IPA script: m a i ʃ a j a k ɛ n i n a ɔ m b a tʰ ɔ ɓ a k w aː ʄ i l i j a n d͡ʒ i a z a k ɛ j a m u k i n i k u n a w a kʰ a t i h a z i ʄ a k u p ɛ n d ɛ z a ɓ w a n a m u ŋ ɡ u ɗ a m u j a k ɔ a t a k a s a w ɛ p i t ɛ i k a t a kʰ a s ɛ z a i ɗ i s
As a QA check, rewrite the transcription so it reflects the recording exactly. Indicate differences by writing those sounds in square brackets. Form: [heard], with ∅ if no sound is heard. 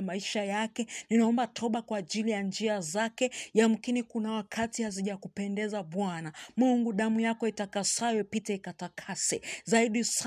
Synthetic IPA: m a i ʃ a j a k ɛ n i n a ɔ m b a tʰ ɔ ɓ a k w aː ʄ i l i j a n d͡ʒ i a z a k ɛ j a m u k i n i k u n a w a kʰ a t i h a z i ʄ a k u p ɛ n d ɛ z a ɓ w a n a m u ŋ ɡ u ɗ a m u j a k ɔ [i] t a k a s a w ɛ p i t ɛ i k a t a kʰ a s ɛ z a i ɗ i s